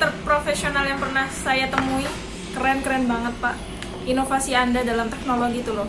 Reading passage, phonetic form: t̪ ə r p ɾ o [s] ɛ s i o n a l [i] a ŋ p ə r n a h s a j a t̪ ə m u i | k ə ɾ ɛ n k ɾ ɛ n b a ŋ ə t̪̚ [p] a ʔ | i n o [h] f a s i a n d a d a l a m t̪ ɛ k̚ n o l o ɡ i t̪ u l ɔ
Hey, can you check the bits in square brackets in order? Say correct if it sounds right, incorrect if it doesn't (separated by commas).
incorrect, incorrect, correct, incorrect